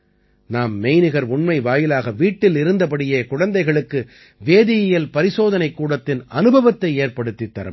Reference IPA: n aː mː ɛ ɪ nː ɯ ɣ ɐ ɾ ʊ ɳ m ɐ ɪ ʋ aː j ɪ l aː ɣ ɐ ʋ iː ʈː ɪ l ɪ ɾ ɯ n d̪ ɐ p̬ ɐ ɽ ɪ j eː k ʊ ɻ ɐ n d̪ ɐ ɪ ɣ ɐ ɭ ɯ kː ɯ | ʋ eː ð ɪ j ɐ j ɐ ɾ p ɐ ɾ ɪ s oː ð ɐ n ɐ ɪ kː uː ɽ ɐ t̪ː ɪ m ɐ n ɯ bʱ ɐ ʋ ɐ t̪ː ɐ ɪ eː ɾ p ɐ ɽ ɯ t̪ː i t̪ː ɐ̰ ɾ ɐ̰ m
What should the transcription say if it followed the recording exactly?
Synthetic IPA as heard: n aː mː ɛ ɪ n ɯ ɣ ɐ ɾ ʊ ɳ m ɐ ɪ ʋ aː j ɪ l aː ɣ ɐ ʋ iː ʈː ɪ l ɪ ɾ ɯ n d̪ ɐ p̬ ɐ ɽ ɪ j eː k ʊ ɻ ɐ n d̪ ɐ ɪ ɣ ɐ ɭ ɯ kː ɯ | ʋ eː ð ɪ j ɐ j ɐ l p ɐ ɾ ɪ s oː ð ɐ n ɐ ɪ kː uː ɽ ɐ t̪ː ɪ n ɐ n ɯ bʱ ɐ ʋ ɐ t̪ː ɐ ɪ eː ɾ p ɐ ɽ ɯ t̪ː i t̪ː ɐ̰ ɾ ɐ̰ m